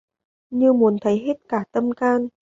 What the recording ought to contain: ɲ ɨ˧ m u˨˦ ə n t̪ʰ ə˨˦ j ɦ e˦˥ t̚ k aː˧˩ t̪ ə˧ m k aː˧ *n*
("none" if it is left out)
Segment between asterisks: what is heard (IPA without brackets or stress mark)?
n